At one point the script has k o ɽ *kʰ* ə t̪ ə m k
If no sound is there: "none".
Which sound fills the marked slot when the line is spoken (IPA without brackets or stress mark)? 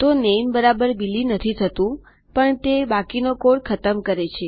kʰ